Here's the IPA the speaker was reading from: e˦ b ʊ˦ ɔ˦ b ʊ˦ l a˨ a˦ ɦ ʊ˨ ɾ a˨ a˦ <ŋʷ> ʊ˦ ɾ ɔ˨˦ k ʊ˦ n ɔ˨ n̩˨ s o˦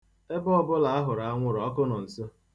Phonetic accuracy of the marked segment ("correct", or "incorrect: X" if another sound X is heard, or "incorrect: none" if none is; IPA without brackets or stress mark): correct